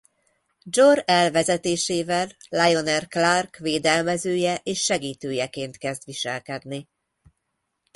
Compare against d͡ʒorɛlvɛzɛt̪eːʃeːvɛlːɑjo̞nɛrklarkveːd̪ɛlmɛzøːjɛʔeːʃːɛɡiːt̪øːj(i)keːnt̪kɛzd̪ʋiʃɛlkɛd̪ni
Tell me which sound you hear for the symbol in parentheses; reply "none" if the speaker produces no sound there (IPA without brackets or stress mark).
ɛ